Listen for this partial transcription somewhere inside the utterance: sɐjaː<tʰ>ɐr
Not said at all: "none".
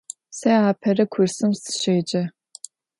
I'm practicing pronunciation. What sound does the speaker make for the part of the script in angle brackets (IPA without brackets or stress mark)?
pʰ